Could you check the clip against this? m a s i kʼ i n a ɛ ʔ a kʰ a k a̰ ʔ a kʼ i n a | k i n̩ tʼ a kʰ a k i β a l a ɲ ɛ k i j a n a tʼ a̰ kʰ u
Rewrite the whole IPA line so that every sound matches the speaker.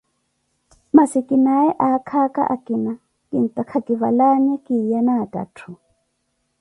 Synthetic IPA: m a s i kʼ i n a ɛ ʔ a kʰ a k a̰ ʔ a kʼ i n a | k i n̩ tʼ a kʰ a k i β a l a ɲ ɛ k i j a n a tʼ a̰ tʰ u

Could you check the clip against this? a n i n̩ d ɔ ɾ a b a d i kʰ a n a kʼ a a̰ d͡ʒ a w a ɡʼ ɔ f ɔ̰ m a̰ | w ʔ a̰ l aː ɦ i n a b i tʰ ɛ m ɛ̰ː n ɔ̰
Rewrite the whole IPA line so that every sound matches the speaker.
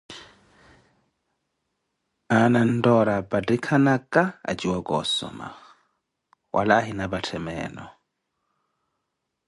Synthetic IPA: a n a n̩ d ɔ ɾ a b a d i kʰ a n a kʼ a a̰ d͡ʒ i w a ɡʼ ɔ s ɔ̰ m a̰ | w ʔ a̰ l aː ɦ i n a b a tʰ ɛ m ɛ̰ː n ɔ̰

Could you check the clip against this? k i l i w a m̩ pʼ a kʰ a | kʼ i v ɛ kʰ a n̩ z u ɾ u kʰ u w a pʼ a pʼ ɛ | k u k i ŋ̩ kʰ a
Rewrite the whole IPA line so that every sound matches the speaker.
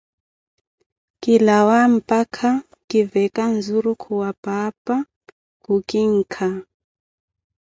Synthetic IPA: k i l a w a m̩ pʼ a kʰ a | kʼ i v ɛ k a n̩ z u ɾ u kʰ u w a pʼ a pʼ a | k u k i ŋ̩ kʰ a

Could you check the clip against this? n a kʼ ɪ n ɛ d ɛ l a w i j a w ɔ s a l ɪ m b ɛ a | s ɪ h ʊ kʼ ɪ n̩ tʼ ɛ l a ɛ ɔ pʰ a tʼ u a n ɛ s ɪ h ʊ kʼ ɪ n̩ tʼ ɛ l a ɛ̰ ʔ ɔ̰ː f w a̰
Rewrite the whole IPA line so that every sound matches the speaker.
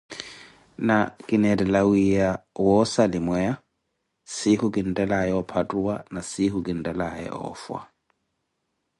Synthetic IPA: n a kʼ ɪ n ɛ d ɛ l a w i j a w ɔ s a l ɪ m w ɛ a | s ɪ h ʊ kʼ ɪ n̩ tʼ ɛ l a ɛ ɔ pʰ a tʼ u a n a s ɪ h ʊ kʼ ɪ n̩ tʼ ɛ l a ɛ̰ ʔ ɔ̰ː f w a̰

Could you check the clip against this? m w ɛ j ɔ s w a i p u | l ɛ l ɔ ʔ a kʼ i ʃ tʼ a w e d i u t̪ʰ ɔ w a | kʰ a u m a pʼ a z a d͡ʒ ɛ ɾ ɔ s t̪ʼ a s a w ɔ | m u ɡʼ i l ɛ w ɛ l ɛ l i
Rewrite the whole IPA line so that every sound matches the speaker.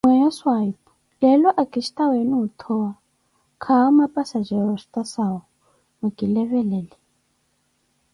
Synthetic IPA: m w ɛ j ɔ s w a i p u | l ɛ l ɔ ʔ a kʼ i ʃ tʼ a w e n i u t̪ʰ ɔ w a | kʰ a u m a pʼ a s a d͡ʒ ɛ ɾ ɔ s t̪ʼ a s a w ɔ | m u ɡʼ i l ɛ β ɛ l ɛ l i

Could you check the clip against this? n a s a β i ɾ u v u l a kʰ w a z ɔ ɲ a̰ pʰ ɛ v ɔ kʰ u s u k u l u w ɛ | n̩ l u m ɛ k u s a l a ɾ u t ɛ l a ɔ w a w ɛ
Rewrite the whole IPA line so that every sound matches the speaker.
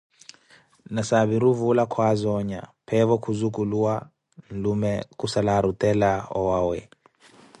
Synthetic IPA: n a s a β i ɾ u v u l a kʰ w a z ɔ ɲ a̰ pʰ ɛ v ɔ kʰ u z u k u l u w a | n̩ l u m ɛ k u s a l a ɾ u t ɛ l a ɔ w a w ɛ

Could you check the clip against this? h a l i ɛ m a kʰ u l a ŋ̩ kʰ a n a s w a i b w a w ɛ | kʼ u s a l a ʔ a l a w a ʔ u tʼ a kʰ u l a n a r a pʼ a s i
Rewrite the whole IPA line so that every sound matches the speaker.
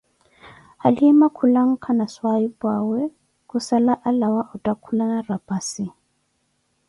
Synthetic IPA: h a l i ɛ m a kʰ u l a ŋ̩ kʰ a n a s w a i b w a w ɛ | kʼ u s a l a ʔ a l a w a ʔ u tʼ a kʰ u l a n a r a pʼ a s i

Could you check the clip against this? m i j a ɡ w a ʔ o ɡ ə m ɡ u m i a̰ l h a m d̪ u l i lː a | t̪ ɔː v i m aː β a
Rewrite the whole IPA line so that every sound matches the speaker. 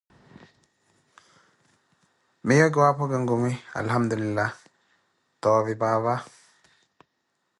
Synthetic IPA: m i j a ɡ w a p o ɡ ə ŋ ɡ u m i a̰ l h a m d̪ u l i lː a | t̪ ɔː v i b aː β a

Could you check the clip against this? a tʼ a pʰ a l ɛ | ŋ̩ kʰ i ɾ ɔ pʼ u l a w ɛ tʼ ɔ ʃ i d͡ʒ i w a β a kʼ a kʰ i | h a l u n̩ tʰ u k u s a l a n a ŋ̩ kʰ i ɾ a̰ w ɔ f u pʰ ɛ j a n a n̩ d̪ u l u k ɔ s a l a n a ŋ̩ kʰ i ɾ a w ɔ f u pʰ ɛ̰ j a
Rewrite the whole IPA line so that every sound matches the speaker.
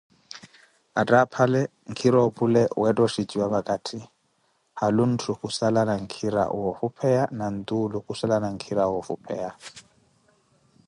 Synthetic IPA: a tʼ a pʰ a l ɛ | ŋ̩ kʰ i ɾ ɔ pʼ u l ɛ w ɛ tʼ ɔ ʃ i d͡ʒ i w a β a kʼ a tʰ i | h a l u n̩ tʰ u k u s a l a n a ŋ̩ kʰ i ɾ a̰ w ɔ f u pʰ ɛ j a n a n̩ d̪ u l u k u s a l a n a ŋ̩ kʰ i ɾ a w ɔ f u pʰ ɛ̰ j a

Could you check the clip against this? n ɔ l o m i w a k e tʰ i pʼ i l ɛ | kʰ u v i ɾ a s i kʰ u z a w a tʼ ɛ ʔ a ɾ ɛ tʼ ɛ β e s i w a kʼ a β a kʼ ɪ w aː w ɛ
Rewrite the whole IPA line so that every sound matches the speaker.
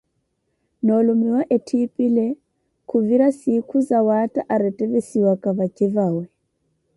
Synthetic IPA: n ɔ l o m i w a ʔ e tʰ i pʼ i l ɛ | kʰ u v i ɾ a s i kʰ u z a w a tʼ a ʔ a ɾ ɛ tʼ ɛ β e s i w a kʼ a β a kʼ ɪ v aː w ɛ

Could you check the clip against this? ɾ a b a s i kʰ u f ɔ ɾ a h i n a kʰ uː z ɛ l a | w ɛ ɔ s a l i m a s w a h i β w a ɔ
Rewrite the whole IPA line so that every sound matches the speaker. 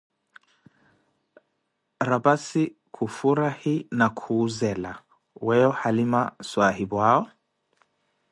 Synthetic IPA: ɾ a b a s i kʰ u f u ɾ a h i n a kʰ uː z ɛ l a | w ɛ ɔ h a l i m a s w a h i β w a ɔ

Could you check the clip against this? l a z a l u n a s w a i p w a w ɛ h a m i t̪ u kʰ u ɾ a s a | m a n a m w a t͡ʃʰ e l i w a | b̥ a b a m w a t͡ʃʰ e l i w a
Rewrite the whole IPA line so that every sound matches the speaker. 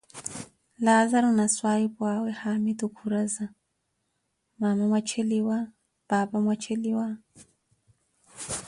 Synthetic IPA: l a z a ɾ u n a s w a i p w a w ɛ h a m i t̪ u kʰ u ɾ a z a | m a m a m w a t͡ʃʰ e l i w a | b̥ a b a m w a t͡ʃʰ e l i w a

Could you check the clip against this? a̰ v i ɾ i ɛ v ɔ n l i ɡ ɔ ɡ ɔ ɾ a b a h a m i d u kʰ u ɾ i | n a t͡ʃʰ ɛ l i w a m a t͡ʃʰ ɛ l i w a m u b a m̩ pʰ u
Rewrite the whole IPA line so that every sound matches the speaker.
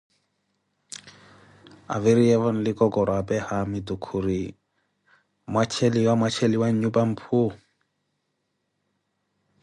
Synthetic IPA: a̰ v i ɾ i ɛ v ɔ n l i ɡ ɔ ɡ ɔ ɾ a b ɛ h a m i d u kʰ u ɾ i | m a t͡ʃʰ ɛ l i w a m a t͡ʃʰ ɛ l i w a ɲ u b a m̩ pʰ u

